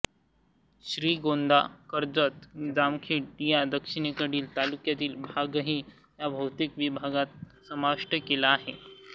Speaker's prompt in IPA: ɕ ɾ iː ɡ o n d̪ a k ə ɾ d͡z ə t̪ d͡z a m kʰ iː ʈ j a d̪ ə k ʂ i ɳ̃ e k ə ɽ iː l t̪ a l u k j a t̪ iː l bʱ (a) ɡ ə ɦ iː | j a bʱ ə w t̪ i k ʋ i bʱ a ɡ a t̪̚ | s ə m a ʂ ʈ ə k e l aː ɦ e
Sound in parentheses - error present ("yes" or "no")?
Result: no